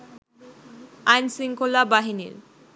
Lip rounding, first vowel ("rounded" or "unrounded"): unrounded